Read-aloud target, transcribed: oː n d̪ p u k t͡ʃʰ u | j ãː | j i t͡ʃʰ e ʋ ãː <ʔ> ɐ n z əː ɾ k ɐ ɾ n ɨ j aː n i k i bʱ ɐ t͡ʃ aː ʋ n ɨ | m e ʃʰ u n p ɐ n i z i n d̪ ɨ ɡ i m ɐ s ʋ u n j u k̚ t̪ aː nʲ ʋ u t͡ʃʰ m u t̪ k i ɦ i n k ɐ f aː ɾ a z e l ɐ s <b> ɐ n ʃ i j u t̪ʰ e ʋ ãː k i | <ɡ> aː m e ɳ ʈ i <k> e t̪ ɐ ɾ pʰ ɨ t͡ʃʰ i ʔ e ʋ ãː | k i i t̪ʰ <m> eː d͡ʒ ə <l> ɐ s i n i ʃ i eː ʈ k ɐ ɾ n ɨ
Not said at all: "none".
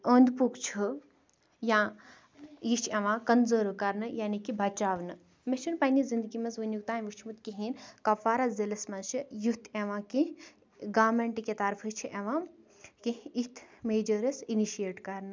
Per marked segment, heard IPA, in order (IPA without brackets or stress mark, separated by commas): k, m, ɡ, k, m, ɾ